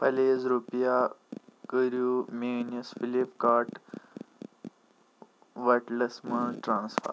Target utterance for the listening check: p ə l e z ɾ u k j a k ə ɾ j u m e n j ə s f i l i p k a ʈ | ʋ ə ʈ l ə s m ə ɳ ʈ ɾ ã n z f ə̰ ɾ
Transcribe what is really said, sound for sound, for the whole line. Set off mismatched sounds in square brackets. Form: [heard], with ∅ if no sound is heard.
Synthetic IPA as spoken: p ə l e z ɾ u [p] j a k ə ɾ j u m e n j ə s f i l i p k a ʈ | ʋ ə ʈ l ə s m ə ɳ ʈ ɾ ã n [s] f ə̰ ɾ